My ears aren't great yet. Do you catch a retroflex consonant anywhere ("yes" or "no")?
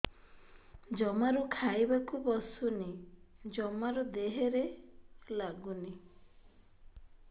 no